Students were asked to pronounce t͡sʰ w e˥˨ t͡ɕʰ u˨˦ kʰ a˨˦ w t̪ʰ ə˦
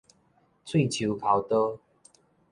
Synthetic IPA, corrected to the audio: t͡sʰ w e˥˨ t͡ɕʰ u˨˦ kʰ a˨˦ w t̪ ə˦